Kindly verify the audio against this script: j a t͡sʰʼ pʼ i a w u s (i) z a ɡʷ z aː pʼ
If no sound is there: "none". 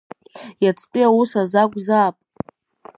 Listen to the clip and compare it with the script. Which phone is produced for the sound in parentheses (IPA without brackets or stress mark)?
a